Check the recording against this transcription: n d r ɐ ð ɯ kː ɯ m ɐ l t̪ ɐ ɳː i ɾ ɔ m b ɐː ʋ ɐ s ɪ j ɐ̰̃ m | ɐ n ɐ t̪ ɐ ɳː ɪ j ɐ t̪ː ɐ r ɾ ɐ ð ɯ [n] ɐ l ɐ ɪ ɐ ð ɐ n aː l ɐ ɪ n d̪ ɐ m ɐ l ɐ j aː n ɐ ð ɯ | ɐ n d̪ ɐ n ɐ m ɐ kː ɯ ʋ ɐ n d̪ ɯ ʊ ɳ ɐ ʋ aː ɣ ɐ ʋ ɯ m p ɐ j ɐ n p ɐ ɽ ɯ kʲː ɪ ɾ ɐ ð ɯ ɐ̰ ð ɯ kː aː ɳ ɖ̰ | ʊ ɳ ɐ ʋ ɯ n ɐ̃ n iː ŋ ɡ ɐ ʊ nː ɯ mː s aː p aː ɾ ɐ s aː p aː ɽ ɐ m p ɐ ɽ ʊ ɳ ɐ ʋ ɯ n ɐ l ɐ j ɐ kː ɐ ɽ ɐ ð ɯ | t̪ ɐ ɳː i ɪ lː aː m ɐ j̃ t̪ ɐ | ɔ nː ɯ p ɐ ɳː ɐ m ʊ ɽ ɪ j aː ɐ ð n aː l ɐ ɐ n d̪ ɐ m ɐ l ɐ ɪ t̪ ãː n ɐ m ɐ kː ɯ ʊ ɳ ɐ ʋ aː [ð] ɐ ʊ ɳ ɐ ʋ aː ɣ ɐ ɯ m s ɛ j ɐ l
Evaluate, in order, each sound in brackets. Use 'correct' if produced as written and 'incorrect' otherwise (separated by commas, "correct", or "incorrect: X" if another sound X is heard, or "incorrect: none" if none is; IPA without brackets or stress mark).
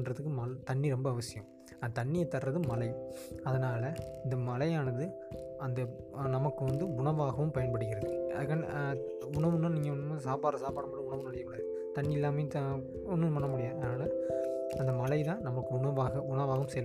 incorrect: m, incorrect: ɣ